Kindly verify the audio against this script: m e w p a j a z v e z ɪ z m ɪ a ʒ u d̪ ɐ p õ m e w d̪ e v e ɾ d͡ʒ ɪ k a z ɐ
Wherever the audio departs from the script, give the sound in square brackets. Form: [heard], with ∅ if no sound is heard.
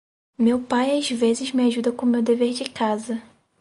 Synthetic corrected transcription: m e w p a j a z v e z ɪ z m ɪ a ʒ u d̪ ɐ [k] õ m e w d̪ e v e ɾ d͡ʒ ɪ k a z ɐ